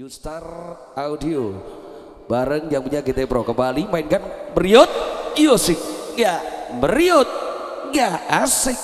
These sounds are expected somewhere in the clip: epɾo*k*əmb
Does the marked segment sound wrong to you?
no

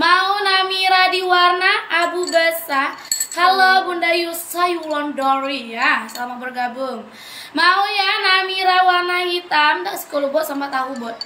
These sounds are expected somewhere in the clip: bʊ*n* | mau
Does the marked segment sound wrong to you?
yes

